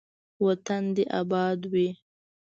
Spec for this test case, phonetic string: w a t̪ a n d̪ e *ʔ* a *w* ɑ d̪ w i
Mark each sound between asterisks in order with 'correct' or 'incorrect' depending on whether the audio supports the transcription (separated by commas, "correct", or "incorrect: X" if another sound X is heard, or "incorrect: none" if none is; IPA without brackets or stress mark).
correct, incorrect: b